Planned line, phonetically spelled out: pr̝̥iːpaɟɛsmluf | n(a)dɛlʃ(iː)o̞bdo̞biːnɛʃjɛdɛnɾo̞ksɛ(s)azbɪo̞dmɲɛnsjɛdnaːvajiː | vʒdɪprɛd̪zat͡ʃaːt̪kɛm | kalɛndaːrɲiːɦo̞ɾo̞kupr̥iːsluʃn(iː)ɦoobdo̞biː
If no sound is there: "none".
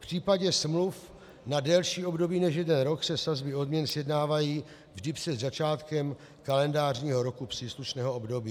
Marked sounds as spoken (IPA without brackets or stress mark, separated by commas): a, iː, s, ɛː